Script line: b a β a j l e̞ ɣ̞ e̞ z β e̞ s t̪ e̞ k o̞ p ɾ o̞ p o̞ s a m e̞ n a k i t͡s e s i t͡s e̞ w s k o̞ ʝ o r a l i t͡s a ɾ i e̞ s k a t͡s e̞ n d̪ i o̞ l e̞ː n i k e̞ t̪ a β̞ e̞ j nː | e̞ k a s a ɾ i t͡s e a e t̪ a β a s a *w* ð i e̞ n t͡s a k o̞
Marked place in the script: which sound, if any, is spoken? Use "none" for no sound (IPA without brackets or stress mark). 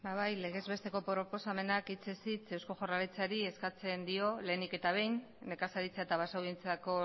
w